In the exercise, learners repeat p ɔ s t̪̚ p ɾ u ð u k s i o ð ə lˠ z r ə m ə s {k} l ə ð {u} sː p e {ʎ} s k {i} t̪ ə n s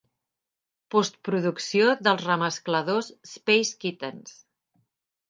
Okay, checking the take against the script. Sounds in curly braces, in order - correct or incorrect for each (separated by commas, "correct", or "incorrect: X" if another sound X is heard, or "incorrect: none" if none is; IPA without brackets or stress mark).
correct, incorrect: o, incorrect: j, correct